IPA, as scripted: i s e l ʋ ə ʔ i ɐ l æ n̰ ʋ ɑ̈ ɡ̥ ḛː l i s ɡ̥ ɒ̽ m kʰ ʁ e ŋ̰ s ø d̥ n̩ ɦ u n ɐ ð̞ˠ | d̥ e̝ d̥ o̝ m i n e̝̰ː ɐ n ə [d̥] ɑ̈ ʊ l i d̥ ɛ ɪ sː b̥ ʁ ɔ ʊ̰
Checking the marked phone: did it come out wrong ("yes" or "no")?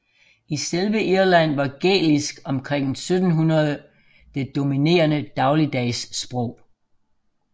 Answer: no